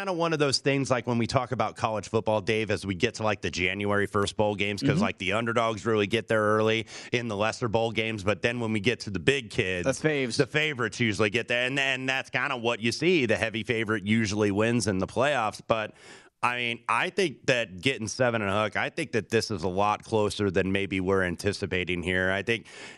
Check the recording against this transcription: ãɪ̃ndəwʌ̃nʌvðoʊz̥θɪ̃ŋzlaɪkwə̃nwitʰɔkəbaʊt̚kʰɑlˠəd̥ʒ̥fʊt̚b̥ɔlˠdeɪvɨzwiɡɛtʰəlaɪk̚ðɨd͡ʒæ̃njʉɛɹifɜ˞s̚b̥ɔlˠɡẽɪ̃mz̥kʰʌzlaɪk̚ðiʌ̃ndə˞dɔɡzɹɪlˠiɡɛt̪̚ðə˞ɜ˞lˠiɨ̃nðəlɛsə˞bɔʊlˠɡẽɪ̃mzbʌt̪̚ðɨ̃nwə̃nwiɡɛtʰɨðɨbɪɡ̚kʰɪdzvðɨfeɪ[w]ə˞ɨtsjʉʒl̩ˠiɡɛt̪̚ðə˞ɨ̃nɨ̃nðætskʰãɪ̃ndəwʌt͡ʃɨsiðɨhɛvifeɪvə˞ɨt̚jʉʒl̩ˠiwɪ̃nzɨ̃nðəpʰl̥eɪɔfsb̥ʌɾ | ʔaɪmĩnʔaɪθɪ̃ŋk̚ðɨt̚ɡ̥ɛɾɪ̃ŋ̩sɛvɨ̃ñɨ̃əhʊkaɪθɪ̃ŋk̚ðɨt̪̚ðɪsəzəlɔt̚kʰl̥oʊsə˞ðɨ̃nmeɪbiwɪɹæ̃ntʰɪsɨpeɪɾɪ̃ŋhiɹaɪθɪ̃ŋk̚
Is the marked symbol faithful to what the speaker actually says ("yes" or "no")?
no